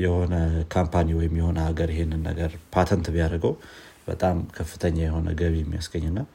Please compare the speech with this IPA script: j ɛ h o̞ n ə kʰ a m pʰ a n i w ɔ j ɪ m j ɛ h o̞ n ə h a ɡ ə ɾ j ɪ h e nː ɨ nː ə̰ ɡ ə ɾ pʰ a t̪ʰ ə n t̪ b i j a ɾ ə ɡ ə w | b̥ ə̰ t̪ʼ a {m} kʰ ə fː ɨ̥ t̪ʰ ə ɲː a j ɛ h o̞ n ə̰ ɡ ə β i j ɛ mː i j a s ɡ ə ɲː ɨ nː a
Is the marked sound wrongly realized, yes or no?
no